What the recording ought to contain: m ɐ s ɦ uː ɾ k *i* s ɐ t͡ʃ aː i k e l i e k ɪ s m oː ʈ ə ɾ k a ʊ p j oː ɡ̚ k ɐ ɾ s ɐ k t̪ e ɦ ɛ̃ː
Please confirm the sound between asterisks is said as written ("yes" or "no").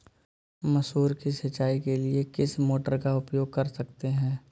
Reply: yes